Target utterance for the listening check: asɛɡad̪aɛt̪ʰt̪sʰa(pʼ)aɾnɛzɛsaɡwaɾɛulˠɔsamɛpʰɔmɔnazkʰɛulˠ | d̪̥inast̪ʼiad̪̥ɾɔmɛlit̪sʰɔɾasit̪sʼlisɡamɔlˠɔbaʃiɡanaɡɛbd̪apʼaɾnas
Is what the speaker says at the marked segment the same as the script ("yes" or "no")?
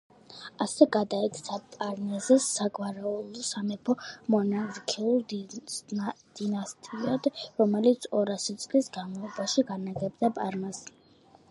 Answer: yes